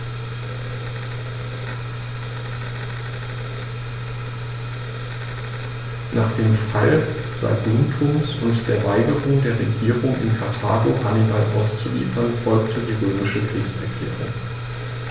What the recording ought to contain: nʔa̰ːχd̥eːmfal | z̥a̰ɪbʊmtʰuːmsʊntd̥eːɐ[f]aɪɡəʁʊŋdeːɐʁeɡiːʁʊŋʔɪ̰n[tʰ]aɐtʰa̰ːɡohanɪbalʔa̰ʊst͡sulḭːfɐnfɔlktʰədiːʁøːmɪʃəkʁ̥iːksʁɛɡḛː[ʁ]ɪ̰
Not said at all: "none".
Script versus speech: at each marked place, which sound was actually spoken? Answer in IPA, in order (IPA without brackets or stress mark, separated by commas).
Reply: v, kʰ, ʁ